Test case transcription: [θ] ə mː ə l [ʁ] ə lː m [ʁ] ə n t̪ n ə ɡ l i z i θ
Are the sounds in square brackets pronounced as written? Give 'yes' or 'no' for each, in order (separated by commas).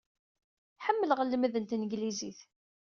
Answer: no, yes, no